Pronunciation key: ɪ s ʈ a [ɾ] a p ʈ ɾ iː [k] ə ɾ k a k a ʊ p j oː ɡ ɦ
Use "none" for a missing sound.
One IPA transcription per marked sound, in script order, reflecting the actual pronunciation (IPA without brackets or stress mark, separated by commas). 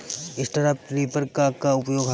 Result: ɾ, p